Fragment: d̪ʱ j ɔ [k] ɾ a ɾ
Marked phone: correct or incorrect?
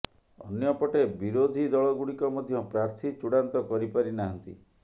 incorrect